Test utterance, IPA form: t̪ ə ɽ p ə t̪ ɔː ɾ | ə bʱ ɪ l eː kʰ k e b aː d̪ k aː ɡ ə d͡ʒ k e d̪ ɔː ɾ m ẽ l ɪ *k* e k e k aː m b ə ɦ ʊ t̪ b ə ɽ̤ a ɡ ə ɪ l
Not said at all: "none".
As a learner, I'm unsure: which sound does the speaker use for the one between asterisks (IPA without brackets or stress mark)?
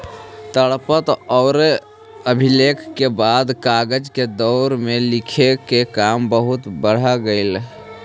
kʰ